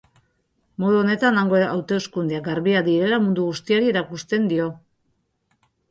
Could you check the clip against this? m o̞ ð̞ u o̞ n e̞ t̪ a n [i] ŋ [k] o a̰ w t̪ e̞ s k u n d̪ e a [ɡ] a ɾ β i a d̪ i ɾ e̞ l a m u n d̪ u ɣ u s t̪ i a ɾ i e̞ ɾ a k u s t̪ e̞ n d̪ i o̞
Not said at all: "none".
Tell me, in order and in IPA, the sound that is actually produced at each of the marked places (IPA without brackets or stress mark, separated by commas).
a, ɡ, ɡ